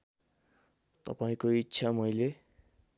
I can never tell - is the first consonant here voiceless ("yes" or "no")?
yes